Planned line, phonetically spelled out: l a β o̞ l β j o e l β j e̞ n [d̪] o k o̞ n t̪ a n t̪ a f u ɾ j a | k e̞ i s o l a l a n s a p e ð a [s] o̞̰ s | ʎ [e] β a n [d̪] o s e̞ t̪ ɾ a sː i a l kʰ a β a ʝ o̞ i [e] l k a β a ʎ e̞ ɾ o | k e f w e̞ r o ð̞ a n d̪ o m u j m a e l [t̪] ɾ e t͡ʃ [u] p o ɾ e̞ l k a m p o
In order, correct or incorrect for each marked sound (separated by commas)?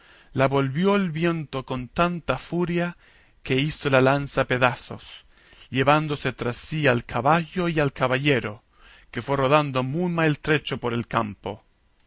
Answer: incorrect, correct, correct, correct, incorrect, correct, incorrect